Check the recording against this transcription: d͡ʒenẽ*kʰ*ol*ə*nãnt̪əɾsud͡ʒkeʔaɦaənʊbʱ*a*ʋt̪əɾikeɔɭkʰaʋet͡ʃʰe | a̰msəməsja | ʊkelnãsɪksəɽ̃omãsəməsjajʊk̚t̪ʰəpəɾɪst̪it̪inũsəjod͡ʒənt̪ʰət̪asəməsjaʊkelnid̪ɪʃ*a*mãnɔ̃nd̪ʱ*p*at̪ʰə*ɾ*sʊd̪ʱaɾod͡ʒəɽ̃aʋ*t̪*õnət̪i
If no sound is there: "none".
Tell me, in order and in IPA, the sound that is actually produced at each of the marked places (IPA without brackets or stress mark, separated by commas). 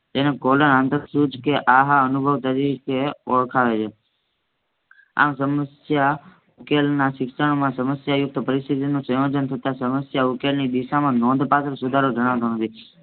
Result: k, ə, ə, a, p, ɾ, t̪